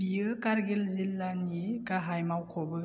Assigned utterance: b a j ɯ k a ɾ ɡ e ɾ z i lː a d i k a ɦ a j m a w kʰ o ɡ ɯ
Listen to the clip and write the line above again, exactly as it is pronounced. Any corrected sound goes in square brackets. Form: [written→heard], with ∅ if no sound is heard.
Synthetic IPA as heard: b [a→i] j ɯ k a ɾ ɡ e [ɾ→l] z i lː a [d→n] i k a ɦ a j m a w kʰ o [ɡ→b] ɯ